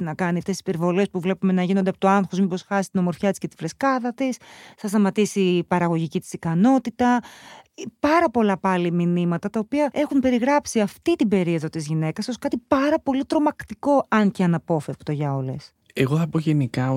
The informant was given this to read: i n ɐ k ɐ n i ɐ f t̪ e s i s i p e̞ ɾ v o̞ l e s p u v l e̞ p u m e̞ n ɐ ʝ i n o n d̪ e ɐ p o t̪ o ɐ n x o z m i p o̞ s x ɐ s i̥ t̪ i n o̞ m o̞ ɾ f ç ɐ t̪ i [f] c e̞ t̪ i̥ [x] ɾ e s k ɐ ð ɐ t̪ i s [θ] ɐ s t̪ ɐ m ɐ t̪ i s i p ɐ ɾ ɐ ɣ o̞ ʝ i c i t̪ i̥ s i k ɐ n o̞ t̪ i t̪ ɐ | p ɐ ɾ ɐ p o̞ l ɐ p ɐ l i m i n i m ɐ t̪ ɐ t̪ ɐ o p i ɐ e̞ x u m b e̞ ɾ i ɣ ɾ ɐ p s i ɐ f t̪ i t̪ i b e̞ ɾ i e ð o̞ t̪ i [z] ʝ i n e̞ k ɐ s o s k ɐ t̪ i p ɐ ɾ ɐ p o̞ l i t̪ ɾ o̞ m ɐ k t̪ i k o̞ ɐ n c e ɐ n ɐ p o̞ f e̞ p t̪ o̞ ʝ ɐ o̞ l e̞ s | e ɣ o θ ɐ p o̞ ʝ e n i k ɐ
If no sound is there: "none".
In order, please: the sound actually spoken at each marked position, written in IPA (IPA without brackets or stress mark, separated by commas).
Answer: s, f, θ, z